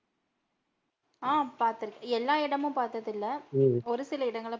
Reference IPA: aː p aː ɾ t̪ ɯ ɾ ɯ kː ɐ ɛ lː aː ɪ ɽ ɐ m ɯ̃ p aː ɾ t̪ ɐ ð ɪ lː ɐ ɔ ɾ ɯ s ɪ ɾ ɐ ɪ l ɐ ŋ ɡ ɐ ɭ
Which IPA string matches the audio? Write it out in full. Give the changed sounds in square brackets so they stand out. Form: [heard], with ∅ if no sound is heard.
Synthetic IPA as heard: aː p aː ɾ t̪ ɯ ɾ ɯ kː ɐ ɛ lː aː ɪ ɽ ɐ m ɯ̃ p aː ɾ t̪ ɐ ð ɪ lː ɐ ɔ ɾ ɯ s ɪ [l] ɐ ɪ [ɽ] ɐ ŋ ɡ ɐ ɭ